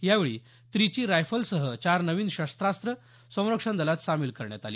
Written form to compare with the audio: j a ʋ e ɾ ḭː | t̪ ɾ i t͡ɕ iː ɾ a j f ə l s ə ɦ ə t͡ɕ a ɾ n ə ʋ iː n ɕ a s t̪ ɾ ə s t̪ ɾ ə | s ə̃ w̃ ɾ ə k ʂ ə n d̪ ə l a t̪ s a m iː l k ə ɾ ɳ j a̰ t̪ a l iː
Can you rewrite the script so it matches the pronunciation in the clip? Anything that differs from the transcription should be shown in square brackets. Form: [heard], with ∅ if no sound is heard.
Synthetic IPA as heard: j a ʋ e [ɭ] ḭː | t̪ ɾ i t͡ɕ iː ɾ a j f ə l s ə ɦ ə t͡ɕ a ɾ n ə ʋ iː n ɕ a s t̪ ɾ [a] s t̪ ɾ ə | s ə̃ w̃ ɾ ə k ʂ ə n d̪ ə l a t̪ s a m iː l k ə ɾ ɳ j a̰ t̪ a l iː